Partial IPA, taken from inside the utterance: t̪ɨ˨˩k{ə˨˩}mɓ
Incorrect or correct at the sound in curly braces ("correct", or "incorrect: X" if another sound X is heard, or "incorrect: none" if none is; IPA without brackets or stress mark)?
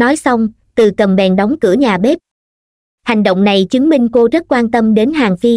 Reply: correct